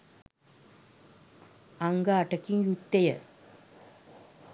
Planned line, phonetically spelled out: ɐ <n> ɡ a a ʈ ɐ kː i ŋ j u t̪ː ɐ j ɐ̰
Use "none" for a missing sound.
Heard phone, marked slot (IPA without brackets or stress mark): ŋ